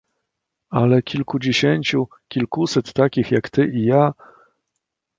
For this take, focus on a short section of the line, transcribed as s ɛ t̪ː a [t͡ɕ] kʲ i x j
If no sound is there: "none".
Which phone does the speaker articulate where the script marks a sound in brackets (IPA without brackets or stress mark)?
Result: none